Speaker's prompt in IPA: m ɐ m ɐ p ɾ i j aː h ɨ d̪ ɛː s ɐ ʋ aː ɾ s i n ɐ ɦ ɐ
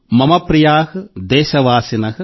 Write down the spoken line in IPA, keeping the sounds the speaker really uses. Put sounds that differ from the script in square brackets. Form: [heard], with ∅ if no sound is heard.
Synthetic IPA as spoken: m ɐ m ɐ p ɾ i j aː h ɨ d̪ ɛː [ʃ] ɐ ʋ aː [∅] s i n ɐ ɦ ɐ